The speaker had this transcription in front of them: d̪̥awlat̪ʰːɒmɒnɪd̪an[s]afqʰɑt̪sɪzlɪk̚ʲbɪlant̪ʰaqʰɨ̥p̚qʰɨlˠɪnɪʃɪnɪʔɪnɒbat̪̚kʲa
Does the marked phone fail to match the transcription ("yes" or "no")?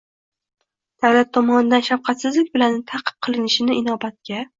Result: yes